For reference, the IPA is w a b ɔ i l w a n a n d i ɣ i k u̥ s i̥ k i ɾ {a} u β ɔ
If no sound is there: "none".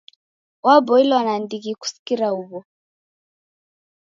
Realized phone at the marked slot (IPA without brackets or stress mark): a